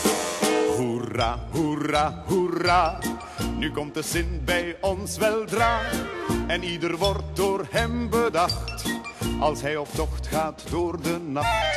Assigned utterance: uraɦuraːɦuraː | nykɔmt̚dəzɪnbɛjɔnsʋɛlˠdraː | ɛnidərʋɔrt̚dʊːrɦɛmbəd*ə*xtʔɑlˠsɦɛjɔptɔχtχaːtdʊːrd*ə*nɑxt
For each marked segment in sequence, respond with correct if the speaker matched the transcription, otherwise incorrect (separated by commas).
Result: incorrect, correct